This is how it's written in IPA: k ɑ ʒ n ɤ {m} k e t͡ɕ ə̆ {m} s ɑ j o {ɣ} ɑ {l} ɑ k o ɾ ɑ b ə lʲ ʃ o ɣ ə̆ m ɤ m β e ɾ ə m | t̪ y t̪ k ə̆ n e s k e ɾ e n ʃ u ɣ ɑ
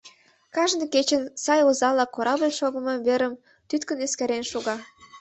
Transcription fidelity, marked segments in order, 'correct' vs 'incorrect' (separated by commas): incorrect, incorrect, incorrect, correct